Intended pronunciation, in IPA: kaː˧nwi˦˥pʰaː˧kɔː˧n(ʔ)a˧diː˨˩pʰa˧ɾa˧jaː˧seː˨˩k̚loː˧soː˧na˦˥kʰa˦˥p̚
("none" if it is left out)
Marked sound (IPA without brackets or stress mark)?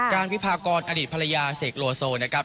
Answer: ʔ